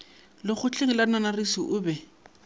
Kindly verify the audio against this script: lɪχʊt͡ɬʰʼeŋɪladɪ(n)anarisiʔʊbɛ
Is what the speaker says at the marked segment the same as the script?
yes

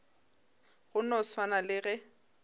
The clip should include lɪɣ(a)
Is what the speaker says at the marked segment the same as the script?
no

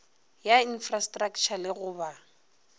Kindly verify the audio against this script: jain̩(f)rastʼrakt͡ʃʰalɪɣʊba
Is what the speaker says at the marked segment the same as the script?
yes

